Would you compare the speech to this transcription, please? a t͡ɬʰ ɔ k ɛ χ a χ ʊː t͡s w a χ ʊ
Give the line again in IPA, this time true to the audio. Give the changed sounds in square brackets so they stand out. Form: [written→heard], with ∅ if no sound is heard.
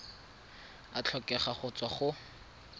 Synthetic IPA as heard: a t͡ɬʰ ɔ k ɛ χ a χ [ʊː→ʊ] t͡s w a χ ʊ